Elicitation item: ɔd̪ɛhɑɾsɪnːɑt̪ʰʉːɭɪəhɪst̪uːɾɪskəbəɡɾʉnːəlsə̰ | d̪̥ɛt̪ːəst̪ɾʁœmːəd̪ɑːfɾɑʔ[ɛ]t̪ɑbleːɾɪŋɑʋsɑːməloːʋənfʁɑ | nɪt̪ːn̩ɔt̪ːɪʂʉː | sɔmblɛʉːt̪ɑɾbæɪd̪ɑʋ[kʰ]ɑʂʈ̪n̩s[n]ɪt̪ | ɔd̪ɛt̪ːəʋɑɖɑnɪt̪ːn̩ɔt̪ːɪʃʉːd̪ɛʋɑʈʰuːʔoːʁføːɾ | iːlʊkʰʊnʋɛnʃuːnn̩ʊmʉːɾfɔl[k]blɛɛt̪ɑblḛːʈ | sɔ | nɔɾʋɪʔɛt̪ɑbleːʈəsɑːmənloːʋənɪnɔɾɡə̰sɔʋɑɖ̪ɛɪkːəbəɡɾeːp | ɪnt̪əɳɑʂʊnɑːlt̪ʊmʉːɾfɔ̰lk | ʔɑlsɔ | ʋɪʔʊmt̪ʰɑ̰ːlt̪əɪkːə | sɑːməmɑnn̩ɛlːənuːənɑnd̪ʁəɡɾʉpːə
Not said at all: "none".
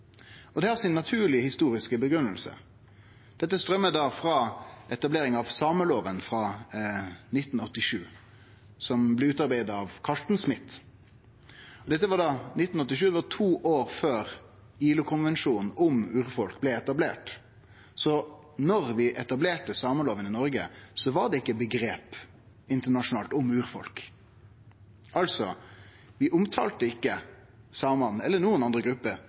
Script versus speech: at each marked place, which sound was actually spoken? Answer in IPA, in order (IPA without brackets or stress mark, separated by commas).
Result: ɛ, kʰ, m, k